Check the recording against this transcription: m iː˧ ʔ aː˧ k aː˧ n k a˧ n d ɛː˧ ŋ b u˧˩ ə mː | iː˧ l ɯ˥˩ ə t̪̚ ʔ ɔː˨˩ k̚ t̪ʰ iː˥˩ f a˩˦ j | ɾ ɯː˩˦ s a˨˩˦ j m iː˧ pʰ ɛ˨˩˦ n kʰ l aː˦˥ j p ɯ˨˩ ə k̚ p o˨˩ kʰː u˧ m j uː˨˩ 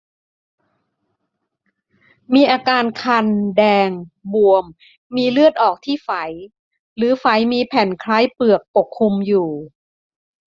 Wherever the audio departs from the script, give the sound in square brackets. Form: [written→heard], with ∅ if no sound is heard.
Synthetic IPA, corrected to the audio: m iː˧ ʔ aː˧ k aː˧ n [k→kʰ] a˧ n d ɛː˧ ŋ b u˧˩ ə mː | iː˧ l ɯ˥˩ ə t̪̚ ʔ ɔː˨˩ k̚ t̪ʰ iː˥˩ f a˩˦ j | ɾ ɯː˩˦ [s→f] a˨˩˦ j m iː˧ pʰ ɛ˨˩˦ n kʰ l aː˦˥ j p ɯ˨˩ ə k̚ p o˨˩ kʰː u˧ m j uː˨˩

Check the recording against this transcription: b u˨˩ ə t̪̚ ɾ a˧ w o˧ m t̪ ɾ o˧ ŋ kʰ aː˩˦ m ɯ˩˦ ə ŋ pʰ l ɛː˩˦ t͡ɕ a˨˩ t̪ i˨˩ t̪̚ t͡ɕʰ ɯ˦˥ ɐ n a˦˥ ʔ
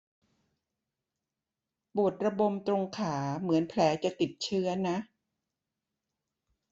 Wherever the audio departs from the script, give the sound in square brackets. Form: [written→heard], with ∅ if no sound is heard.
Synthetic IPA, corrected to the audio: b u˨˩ ə t̪̚ ɾ a˧ [w→b] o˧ m t̪ ɾ o˧ ŋ kʰ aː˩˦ m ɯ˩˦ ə [ŋ→n] pʰ l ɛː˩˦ t͡ɕ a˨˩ t̪ i˨˩ t̪̚ t͡ɕʰ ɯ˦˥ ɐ n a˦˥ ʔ

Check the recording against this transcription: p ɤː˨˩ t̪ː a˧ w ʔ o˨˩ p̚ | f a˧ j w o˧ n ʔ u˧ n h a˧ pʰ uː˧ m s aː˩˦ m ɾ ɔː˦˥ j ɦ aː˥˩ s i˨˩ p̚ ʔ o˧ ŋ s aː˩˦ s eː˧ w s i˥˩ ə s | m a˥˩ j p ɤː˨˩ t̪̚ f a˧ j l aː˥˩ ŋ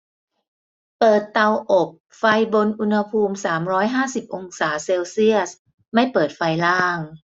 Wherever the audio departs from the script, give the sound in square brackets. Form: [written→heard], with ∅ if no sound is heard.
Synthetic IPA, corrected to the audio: p ɤː˨˩ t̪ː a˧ w ʔ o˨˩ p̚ | f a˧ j [w→b] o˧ n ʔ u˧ n h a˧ pʰ uː˧ m s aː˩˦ m ɾ ɔː˦˥ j ɦ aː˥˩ s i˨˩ p̚ ʔ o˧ ŋ s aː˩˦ s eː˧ w s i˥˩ ə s | m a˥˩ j p ɤː˨˩ t̪̚ f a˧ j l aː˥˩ ŋ

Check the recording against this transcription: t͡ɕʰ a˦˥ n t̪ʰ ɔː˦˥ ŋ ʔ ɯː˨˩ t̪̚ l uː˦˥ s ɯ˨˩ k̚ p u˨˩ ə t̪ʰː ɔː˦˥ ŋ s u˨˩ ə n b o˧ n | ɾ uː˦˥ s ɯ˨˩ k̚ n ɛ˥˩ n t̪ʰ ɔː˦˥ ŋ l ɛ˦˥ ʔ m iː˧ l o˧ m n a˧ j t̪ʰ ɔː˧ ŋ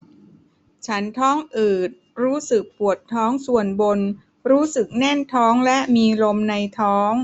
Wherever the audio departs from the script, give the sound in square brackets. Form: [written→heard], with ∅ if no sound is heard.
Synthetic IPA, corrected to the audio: t͡ɕʰ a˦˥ n t̪ʰ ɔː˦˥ ŋ ʔ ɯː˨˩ t̪̚ [l→ɾ] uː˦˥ s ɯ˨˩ k̚ p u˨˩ ə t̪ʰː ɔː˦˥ ŋ s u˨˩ ə n b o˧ n | ɾ uː˦˥ s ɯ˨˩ k̚ n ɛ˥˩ n t̪ʰ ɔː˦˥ ŋ l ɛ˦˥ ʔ m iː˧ l o˧ m n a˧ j t̪ʰ [ɔː˧→ɔː˦˥] ŋ

